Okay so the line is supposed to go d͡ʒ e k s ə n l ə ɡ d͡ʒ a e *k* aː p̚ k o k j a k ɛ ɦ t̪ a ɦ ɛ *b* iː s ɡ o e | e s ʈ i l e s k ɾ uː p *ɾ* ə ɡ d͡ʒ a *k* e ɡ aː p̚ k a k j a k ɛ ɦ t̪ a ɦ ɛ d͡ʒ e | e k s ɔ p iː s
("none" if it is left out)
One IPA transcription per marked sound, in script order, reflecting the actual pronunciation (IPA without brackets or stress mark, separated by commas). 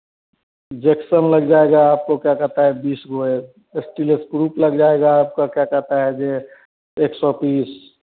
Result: ɡ, b, l, none